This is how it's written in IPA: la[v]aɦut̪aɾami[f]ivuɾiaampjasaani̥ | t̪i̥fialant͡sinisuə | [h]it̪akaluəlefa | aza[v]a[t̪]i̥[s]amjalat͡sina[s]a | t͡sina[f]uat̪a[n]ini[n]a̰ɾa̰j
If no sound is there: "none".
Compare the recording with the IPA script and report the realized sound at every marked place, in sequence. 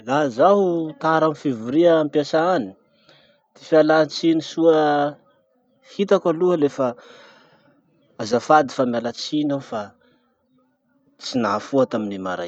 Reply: z, f, h, f, d̪, f, f, f, m, m

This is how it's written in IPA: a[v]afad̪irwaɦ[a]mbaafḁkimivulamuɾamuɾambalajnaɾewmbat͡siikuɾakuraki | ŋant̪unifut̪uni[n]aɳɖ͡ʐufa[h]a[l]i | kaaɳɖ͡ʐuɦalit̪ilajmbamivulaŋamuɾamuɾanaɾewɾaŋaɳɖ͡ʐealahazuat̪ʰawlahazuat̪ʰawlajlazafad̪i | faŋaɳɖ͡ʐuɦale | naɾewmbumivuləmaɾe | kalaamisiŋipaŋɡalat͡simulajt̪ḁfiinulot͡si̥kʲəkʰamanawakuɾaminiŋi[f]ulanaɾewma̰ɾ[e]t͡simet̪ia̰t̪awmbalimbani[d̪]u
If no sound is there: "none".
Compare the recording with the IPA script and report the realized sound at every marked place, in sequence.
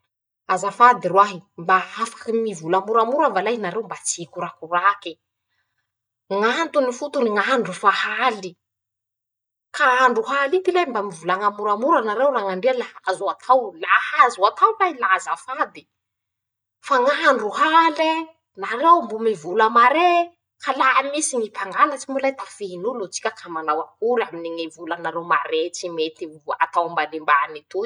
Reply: z, i, ŋ, h, l, v, e, t̪

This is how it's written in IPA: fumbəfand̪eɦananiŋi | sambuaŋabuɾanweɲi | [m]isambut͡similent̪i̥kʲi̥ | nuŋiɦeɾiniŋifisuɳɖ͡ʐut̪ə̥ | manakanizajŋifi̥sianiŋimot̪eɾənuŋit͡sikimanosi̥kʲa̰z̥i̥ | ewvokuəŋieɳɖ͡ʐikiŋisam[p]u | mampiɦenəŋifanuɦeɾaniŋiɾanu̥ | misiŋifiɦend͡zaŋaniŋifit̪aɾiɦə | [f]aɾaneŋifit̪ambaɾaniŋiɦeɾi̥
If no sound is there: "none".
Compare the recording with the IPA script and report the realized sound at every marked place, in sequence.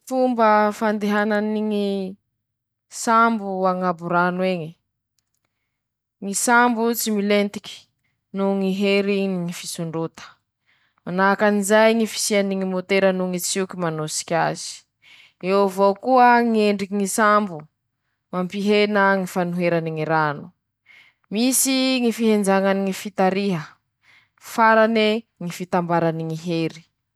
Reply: ŋ, b, f

